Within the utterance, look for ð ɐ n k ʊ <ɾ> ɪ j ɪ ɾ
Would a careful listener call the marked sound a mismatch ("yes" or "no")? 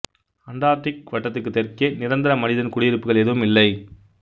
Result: yes